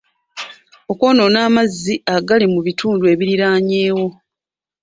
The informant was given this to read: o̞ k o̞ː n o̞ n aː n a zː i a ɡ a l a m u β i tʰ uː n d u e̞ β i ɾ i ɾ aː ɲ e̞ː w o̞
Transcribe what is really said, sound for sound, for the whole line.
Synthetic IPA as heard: o̞ k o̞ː n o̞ n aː m a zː i a ɡ a l i m u β i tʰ uː n d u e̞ β i ɾ i ɾ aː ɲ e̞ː w o̞